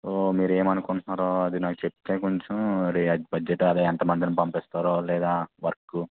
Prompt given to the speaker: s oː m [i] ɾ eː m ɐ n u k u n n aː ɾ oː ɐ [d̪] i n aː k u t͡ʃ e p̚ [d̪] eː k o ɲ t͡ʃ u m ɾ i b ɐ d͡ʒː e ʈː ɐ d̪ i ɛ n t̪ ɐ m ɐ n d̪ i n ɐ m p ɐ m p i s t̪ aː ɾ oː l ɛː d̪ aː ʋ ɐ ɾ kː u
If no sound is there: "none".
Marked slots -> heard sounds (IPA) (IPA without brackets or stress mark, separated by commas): iː, d̪, t̪